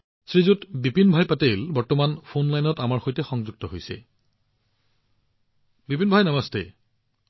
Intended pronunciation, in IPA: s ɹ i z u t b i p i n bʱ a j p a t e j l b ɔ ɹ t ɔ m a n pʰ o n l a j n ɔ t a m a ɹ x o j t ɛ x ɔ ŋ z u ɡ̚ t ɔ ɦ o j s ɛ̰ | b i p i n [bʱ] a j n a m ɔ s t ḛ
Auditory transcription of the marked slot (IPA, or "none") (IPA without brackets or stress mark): bʱ